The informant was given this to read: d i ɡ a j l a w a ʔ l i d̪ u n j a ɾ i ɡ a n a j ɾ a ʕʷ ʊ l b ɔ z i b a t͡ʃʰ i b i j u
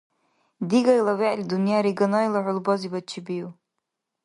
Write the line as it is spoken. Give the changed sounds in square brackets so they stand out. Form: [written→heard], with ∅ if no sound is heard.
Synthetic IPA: d i ɡ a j l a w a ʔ l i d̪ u n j a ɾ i ɡ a n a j [ɾ→l] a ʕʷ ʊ l b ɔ z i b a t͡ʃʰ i b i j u